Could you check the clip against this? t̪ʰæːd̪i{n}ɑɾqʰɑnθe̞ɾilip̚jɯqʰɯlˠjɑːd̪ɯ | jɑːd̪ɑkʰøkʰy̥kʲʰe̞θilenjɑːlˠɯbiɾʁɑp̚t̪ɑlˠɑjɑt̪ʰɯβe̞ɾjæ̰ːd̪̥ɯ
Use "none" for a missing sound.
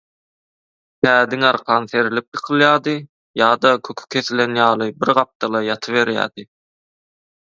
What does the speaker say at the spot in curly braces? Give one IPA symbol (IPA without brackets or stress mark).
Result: ŋ